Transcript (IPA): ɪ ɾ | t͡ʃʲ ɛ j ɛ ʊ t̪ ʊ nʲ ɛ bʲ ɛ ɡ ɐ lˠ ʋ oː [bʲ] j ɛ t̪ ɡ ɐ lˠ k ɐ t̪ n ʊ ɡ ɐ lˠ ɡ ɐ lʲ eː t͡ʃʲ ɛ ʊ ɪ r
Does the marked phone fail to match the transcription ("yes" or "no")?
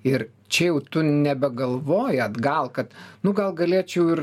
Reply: yes